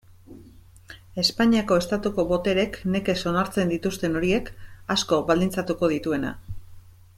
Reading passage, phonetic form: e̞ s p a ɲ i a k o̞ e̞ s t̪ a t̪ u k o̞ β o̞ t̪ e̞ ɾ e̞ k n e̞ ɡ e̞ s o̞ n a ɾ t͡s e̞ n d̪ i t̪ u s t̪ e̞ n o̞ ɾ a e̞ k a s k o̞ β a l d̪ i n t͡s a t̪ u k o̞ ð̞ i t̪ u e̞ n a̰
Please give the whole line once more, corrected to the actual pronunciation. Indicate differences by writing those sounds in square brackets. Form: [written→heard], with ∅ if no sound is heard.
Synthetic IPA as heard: e̞ s p a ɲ i a k o̞ e̞ s t̪ a t̪ u k o̞ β o̞ t̪ e̞ ɾ e̞ k n e̞ [ɡ→k] e̞ s o̞ n a ɾ t͡s e̞ n d̪ i t̪ u s t̪ e̞ n o̞ ɾ [a→i] e̞ k a s k o̞ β a l d̪ i n t͡s a t̪ u k o̞ ð̞ i t̪ u e̞ n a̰